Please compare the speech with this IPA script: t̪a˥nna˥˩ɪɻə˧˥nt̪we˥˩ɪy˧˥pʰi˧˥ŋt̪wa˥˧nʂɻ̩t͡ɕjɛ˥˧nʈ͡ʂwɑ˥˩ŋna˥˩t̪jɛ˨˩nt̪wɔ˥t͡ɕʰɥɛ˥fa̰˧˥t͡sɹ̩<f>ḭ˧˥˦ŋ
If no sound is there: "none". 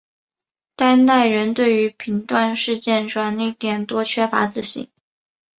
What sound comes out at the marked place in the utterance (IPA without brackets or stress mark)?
ɕ